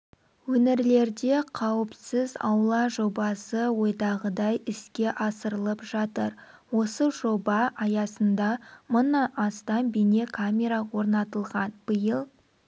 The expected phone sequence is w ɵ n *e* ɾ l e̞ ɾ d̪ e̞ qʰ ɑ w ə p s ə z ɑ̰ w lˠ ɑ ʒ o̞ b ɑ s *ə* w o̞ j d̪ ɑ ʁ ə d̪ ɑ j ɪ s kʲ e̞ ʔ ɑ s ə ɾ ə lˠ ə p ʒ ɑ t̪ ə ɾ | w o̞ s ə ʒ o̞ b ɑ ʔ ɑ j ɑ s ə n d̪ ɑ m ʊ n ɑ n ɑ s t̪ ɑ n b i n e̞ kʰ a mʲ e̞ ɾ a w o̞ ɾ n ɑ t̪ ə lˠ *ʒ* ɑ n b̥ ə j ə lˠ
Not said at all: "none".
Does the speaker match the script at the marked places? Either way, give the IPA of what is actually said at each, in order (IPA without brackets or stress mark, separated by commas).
e, ə, ʁ